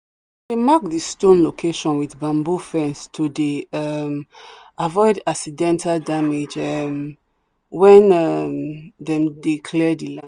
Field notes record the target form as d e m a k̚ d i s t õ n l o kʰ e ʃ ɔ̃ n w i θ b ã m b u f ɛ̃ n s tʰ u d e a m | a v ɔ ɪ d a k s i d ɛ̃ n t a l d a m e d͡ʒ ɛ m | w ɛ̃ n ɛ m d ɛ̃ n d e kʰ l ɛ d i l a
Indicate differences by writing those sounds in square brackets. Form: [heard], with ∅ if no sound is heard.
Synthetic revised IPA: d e m a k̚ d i s t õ n l o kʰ e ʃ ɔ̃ n w i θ b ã m b u f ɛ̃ n s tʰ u d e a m | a v ɔ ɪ d a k s i d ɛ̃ n t a l d a m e d͡ʒ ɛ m | w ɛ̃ n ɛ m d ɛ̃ [m] d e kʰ l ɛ d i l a

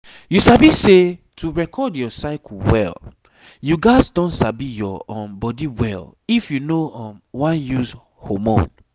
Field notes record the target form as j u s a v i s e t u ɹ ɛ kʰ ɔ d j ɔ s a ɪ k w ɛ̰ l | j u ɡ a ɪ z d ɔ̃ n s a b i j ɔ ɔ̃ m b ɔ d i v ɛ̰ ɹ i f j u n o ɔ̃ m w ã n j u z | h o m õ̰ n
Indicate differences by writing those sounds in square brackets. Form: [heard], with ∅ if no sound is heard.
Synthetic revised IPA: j u s a [b] i s e t u ɹ ɛ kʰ ɔ d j ɔ s a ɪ k w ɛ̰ l | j u ɡ a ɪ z d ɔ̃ n s a b i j ɔ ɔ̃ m b ɔ d i [w] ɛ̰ [l] i f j u n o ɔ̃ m w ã n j u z | h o m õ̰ n

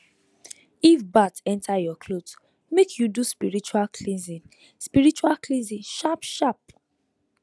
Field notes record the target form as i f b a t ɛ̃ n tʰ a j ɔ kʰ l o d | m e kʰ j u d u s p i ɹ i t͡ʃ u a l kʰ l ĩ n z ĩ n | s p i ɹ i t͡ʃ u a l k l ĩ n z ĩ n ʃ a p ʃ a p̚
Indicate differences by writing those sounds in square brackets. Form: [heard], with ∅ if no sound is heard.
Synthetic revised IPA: i f b a t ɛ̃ n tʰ a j ɔ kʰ l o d | m e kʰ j u d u s p i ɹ i t͡ʃ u a l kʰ l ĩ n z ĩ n | s p i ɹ i t͡ʃ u a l k l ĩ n z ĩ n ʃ a p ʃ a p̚

